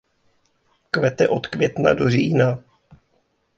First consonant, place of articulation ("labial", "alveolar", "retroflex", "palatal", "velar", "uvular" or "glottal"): velar